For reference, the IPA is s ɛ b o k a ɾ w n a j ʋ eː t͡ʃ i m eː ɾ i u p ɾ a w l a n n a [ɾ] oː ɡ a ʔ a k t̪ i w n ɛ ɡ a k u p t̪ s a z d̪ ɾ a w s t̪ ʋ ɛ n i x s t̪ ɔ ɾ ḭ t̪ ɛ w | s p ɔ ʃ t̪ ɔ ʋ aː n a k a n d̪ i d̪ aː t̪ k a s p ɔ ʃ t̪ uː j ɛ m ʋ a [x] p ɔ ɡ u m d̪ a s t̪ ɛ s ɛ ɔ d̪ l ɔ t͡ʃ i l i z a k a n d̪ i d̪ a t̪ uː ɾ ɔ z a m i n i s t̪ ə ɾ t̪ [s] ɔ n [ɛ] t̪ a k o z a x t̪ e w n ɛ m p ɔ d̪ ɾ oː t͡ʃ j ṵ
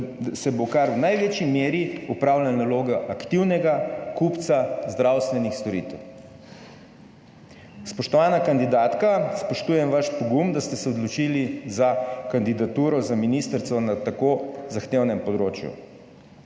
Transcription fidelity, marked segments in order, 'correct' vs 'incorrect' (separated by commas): incorrect, incorrect, correct, incorrect